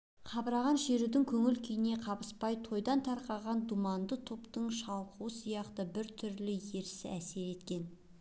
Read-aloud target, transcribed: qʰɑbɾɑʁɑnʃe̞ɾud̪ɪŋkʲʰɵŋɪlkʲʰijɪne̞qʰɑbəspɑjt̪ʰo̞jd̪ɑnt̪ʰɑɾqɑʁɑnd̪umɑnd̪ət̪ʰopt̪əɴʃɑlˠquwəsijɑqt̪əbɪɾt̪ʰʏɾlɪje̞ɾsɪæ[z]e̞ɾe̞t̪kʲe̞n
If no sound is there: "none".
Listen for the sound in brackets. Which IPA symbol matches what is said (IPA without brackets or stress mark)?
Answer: s